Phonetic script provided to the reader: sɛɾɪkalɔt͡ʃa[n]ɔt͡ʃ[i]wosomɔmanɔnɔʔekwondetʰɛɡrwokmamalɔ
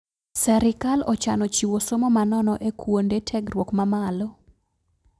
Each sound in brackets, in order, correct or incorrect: correct, correct

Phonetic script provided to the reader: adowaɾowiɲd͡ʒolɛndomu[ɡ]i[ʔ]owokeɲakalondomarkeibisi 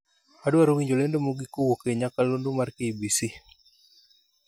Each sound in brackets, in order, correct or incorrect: correct, incorrect

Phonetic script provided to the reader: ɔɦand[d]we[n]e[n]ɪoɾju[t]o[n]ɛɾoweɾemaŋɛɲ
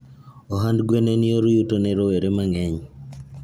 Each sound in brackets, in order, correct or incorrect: incorrect, correct, correct, correct, correct

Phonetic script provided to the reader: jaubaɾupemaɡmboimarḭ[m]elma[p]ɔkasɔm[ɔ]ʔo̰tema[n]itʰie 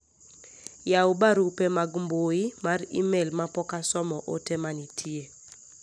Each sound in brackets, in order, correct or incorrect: correct, correct, correct, correct

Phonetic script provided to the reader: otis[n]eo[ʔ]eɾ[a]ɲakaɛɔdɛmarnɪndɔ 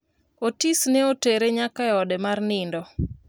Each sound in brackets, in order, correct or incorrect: correct, incorrect, incorrect

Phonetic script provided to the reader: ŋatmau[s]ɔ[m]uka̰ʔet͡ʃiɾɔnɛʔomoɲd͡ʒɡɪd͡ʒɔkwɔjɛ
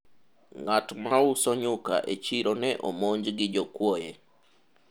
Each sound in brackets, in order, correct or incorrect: correct, incorrect

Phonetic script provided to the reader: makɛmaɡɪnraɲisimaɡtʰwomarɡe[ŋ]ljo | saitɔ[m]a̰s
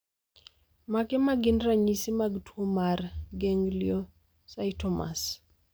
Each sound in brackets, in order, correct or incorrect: correct, correct

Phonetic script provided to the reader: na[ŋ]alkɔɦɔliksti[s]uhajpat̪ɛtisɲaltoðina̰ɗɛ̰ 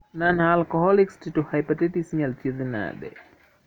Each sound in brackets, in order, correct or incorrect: incorrect, incorrect

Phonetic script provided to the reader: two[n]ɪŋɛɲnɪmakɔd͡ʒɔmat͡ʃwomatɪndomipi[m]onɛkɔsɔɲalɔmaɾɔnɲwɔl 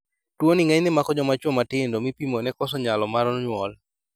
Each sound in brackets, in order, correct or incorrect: correct, correct

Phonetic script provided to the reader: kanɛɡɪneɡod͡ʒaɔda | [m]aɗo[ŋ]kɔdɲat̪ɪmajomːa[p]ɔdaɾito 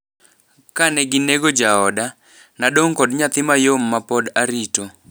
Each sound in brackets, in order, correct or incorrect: incorrect, correct, correct

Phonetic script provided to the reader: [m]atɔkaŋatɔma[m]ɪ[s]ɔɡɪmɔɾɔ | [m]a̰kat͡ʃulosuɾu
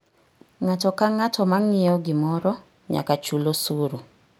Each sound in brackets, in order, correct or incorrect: incorrect, incorrect, incorrect, incorrect

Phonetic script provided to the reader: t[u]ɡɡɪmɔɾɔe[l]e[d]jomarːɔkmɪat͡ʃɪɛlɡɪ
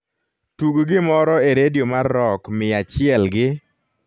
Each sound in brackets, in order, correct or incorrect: correct, incorrect, correct

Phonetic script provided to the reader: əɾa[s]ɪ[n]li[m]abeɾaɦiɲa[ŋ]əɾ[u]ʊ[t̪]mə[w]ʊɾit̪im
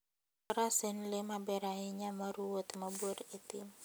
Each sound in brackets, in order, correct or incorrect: correct, correct, correct, incorrect, correct, correct, incorrect

